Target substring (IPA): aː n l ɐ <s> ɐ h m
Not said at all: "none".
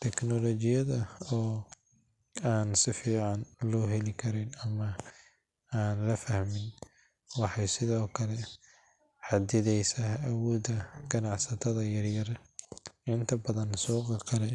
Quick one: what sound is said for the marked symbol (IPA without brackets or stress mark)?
f